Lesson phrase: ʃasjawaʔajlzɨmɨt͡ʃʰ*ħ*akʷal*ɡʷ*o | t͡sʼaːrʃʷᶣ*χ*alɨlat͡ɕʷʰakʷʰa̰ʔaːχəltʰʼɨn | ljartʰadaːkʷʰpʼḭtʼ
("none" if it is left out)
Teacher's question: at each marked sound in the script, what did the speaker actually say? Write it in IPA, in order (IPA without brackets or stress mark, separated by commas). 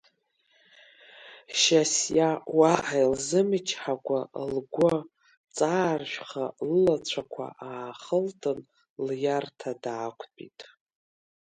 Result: ħ, ɡʷ, χ